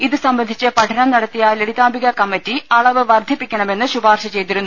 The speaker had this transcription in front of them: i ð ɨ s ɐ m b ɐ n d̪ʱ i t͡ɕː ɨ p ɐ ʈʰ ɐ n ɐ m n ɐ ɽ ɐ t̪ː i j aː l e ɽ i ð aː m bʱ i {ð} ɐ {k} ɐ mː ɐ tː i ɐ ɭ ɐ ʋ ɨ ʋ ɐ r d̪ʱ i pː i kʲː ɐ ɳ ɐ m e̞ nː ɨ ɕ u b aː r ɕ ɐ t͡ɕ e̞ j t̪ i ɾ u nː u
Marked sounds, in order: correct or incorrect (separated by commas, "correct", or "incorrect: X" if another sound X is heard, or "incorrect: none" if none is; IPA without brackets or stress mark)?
incorrect: ɣ, correct